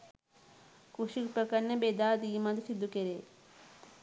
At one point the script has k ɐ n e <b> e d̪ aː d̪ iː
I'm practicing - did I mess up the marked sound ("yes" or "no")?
no